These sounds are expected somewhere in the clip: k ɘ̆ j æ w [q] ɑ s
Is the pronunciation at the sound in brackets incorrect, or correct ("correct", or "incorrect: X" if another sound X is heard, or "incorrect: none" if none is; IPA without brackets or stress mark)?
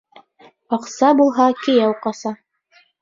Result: correct